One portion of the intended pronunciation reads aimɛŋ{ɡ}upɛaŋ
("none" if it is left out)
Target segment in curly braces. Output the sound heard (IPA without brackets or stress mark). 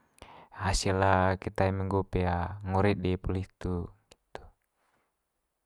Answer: ɡ